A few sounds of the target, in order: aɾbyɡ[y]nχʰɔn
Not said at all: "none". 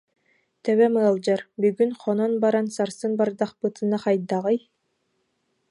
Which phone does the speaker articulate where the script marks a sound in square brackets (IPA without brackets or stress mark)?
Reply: y